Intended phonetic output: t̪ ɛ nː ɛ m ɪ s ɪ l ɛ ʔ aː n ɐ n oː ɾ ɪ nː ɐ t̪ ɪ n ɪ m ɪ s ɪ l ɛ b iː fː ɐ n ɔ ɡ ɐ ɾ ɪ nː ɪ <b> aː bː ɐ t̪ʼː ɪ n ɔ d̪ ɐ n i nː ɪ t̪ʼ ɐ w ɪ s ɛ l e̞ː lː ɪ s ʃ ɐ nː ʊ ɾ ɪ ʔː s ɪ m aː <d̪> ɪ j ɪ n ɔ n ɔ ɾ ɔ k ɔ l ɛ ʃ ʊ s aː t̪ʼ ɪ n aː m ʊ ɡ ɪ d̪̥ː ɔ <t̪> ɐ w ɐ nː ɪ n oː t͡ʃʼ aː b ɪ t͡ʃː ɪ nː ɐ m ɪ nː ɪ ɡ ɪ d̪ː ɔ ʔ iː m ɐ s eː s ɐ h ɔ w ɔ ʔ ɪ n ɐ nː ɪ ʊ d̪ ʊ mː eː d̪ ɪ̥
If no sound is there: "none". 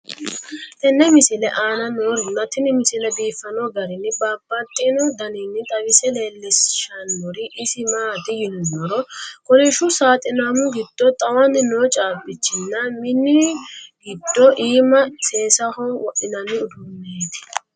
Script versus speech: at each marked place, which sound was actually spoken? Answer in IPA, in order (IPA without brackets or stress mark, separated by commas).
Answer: b, t̪, t̪ʼ